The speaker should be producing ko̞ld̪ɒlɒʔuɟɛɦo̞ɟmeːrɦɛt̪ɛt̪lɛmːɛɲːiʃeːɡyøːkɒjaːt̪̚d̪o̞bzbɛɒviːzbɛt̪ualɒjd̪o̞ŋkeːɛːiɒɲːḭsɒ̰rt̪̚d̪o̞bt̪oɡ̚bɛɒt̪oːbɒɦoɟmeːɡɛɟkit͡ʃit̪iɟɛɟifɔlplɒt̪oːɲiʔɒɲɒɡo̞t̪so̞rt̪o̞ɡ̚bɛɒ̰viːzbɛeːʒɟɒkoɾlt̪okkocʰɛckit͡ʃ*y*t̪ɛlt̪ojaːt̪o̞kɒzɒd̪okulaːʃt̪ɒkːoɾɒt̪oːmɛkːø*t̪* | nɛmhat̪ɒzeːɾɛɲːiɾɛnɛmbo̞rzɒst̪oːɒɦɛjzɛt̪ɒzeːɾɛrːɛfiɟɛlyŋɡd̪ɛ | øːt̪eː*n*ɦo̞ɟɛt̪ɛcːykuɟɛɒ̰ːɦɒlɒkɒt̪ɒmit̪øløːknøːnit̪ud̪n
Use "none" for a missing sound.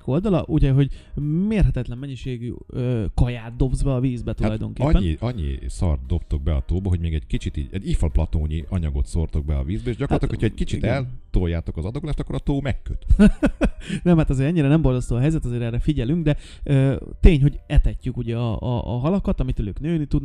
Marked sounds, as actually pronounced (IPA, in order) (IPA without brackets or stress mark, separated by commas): i, t̪, ɲ